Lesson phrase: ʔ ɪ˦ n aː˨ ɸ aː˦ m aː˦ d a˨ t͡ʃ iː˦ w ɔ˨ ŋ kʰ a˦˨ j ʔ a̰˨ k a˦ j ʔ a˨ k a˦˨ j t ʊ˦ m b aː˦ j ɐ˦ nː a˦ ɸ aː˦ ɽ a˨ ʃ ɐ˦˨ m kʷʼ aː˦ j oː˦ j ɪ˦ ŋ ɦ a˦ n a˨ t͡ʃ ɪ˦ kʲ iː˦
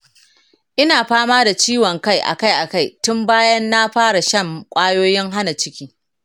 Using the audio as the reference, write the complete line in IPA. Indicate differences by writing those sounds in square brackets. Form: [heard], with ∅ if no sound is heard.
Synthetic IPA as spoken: ʔ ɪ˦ n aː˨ ɸ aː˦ m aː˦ d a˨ t͡ʃ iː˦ w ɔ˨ ŋ [k] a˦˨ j ʔ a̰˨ k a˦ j ʔ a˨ k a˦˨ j t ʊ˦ m b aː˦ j ɐ˦ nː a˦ ɸ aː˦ ɽ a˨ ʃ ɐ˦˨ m kʷʼ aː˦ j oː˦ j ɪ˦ ŋ ɦ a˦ n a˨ t͡ʃ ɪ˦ kʲ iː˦